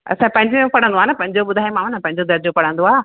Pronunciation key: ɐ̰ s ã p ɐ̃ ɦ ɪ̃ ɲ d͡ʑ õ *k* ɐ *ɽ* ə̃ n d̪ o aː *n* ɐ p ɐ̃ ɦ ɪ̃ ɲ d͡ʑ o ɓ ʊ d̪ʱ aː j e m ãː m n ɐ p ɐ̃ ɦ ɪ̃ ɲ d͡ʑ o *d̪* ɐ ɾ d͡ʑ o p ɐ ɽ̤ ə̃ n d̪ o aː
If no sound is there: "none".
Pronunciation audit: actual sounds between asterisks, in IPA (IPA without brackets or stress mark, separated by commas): p, ɽ, n, d̪